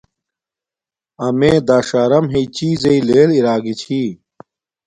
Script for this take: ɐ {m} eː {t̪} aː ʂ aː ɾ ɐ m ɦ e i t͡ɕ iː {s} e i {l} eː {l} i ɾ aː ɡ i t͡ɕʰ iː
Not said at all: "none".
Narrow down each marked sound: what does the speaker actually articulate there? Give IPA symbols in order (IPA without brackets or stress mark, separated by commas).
m, d̪, z, l, l